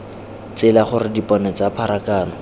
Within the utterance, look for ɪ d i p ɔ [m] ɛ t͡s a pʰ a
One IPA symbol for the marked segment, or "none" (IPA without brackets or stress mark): n